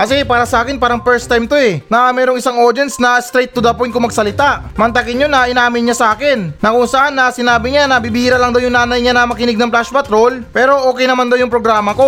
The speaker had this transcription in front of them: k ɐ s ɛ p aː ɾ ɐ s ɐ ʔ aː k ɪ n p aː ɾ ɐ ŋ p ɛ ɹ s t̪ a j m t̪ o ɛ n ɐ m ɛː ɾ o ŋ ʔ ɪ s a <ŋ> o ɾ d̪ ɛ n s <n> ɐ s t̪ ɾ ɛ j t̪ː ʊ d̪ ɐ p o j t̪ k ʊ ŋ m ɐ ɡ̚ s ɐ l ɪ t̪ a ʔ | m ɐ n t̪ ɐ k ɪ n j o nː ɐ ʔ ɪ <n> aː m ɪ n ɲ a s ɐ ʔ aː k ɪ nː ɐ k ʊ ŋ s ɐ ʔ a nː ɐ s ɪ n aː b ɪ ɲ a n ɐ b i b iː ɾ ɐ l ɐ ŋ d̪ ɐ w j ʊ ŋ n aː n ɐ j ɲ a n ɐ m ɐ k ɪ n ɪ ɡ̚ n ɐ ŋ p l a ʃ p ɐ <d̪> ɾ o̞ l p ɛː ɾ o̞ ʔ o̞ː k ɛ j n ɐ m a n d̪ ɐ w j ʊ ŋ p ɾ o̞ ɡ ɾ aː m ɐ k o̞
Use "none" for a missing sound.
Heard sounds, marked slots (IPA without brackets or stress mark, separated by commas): ŋ, n, n, t̪